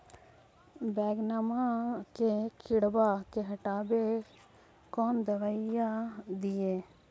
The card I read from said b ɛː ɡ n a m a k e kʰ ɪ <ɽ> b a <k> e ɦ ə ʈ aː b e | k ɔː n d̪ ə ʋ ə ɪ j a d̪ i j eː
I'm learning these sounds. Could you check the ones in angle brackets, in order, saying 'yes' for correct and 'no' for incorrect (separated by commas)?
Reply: yes, yes